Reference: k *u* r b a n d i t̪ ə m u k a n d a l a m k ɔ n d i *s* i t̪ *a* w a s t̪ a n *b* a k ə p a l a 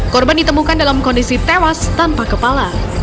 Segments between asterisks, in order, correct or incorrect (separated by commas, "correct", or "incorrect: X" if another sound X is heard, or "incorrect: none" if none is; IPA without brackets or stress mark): incorrect: ɔ, correct, incorrect: e, incorrect: p